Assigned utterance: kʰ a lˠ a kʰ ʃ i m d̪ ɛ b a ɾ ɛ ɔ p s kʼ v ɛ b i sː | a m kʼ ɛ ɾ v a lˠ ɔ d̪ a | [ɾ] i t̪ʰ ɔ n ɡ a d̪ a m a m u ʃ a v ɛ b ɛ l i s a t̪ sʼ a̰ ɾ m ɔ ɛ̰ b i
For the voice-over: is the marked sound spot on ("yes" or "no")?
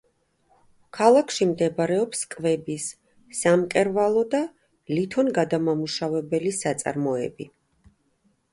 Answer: no